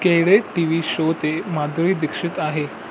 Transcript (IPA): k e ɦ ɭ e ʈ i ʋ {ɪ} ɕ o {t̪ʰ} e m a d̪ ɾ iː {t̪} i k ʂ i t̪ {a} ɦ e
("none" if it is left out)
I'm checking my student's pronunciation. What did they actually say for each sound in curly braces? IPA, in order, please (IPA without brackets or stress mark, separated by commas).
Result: i, t̪, d̪, a